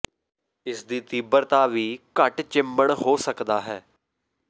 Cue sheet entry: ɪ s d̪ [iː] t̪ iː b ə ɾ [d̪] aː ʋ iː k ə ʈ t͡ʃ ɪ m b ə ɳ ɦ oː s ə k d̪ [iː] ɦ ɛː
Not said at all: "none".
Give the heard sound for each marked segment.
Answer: iː, t̪, aː

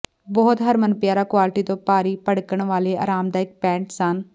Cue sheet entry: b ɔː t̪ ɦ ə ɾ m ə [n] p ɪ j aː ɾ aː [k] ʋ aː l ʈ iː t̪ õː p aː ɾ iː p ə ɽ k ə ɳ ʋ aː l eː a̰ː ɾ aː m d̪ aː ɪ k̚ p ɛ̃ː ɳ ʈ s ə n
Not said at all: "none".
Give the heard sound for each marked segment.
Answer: n, k

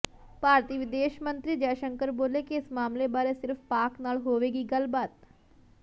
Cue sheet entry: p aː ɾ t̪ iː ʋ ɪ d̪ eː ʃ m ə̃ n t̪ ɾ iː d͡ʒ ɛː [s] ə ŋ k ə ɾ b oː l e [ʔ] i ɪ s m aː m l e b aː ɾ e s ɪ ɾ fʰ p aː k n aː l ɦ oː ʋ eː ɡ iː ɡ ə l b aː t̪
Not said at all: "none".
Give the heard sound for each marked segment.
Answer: ʃ, k

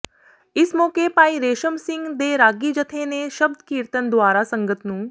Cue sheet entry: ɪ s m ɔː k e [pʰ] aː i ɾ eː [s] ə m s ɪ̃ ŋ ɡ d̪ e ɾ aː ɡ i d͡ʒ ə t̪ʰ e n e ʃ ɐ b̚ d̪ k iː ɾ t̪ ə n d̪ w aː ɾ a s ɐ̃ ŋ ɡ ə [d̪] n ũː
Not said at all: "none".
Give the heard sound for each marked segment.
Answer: p, ʃ, t̪

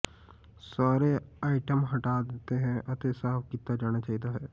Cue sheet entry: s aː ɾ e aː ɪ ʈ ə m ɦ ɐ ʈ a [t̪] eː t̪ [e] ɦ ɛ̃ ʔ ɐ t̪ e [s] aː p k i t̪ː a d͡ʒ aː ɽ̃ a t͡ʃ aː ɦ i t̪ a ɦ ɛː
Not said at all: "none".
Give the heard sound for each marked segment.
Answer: d̪, e, s

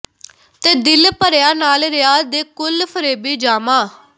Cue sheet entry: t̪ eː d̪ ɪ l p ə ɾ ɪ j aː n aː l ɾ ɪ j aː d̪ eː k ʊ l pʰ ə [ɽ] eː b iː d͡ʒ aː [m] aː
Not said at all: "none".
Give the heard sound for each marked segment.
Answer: ɾ, m

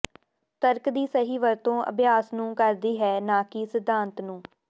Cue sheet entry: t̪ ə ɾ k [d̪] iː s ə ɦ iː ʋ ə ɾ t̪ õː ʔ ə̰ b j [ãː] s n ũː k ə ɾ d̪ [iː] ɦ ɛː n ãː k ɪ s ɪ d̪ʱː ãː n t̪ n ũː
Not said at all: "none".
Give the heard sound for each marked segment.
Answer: d̪, aː, iː

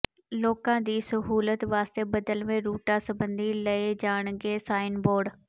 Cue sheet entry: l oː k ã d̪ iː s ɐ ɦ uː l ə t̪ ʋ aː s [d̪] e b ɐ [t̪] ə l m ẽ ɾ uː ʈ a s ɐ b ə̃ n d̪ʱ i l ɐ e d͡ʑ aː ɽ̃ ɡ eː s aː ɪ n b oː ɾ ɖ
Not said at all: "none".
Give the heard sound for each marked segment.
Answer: t̪, d̪

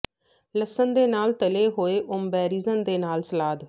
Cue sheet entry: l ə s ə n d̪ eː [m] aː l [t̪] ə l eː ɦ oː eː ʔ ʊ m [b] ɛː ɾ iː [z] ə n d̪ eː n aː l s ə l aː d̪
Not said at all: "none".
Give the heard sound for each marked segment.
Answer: n, t̪, b, z

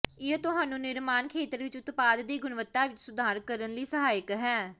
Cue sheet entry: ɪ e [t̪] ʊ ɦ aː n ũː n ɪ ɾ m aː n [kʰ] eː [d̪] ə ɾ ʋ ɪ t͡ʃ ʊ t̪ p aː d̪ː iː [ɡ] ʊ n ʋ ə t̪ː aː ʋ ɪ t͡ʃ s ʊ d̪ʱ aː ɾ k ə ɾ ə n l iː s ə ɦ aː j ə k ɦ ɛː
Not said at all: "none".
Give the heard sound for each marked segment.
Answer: t̪, kʰ, t̪, ɡ

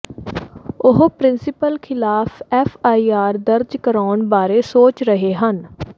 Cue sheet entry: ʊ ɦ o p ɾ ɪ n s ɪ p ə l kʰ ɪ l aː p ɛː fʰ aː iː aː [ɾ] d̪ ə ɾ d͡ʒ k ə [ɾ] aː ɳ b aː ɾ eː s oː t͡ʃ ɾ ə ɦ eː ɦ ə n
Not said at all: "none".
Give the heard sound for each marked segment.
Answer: ɾ, ɾ

